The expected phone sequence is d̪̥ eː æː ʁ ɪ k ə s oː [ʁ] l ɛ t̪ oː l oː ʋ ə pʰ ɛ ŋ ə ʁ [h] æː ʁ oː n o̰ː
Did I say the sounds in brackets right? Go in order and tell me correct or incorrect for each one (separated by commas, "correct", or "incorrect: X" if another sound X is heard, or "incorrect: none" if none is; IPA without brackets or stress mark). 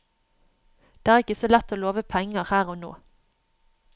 incorrect: none, correct